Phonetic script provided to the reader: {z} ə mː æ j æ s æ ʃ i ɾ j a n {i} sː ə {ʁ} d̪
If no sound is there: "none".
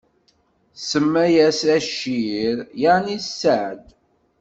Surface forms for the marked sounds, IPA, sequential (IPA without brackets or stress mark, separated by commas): s, i, ʕ